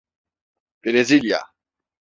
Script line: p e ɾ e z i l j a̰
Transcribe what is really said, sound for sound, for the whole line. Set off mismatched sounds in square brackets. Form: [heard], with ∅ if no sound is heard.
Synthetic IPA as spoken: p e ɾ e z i l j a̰